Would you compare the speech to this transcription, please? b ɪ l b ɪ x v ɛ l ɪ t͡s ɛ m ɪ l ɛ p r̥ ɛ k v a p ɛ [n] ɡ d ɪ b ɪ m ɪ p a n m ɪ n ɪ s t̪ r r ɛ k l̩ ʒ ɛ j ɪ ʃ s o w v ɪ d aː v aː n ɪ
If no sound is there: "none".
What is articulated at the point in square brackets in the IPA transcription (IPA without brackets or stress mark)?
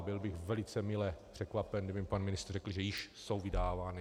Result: n